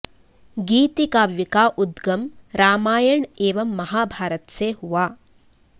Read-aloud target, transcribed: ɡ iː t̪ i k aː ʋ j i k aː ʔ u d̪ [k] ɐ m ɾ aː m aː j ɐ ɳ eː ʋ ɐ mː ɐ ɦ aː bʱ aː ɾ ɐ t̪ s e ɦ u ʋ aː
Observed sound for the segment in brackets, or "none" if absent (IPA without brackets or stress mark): ɡ